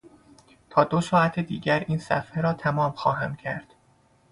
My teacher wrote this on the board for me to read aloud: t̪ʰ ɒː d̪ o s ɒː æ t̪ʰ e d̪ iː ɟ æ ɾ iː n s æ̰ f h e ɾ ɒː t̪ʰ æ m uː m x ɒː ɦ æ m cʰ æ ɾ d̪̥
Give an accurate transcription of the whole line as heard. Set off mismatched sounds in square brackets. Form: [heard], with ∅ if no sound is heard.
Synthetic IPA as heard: t̪ʰ ɒː d̪ o s ɒː æ t̪ʰ e d̪ iː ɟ æ ɾ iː n s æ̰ f h e ɾ ɒː t̪ʰ æ m [ɒː] m x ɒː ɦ æ m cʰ æ ɾ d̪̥